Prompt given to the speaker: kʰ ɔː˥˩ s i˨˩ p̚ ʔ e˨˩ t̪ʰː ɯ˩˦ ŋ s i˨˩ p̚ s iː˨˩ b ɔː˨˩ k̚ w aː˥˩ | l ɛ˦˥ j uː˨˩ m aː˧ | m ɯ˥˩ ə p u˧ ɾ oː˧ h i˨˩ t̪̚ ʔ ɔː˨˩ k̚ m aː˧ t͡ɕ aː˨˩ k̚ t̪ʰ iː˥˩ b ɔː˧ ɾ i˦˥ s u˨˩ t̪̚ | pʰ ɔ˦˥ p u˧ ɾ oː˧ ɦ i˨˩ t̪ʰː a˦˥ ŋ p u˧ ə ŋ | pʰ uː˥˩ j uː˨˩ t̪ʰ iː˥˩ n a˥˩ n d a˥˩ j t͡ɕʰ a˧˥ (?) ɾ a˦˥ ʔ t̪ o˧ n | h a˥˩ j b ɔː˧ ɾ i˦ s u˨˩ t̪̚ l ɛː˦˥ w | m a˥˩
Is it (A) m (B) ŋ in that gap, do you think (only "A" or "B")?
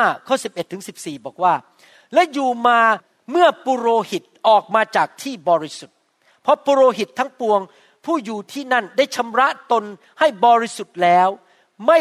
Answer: A